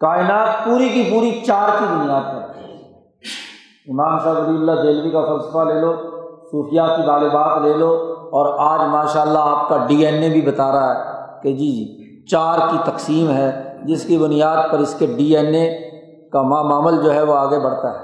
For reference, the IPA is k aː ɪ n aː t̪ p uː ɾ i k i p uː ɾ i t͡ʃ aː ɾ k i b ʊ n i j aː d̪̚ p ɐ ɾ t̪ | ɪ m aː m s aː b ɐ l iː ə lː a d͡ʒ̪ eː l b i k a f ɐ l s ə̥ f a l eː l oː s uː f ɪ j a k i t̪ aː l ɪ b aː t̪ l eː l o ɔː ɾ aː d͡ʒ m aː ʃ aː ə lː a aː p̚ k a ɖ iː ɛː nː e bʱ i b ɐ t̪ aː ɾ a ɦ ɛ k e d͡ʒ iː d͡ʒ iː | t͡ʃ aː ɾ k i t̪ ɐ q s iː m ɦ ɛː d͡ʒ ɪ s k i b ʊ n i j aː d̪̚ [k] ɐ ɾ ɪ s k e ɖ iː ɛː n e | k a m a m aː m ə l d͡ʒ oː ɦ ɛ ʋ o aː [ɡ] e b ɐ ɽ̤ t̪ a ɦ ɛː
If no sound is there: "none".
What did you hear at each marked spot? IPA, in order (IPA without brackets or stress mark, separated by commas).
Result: p, ɡ